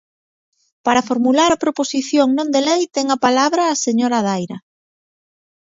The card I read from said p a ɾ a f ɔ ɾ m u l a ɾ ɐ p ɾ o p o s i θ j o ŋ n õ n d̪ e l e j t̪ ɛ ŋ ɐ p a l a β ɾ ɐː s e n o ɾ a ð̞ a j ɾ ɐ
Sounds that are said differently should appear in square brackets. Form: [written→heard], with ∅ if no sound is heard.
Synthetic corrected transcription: p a ɾ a f [ɔ→o] ɾ m u l a ɾ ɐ p ɾ o p o s i θ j o ŋ n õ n d̪ e l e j t̪ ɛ ŋ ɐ p a l a β ɾ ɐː s e [n→ɲ] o ɾ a ð̞ a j ɾ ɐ